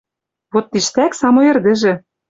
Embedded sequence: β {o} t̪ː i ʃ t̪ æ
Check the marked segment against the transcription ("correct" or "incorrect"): correct